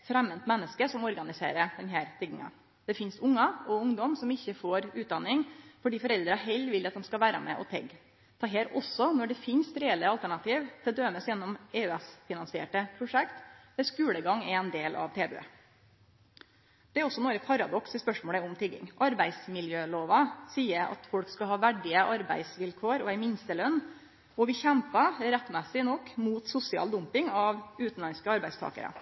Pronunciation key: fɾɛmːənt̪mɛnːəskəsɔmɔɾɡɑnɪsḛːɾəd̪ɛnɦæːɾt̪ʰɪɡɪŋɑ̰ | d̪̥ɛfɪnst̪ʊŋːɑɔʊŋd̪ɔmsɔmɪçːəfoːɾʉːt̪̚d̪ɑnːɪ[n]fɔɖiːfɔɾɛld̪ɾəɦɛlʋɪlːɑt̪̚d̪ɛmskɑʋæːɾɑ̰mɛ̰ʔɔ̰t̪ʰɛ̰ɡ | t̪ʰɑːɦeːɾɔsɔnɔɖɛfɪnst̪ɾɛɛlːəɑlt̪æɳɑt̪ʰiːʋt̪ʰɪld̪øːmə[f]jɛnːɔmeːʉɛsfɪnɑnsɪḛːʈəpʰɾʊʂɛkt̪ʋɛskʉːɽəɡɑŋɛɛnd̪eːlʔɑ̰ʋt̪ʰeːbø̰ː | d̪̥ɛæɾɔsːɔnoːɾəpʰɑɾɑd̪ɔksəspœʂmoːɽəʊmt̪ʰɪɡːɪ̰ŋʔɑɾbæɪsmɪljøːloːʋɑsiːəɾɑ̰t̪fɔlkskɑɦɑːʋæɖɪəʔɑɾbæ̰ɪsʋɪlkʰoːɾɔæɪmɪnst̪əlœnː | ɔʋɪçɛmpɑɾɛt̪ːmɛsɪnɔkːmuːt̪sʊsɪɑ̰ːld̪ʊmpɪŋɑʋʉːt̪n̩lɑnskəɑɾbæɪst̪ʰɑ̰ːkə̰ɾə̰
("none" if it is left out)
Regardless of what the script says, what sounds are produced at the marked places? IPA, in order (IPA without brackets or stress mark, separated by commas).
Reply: ŋ, s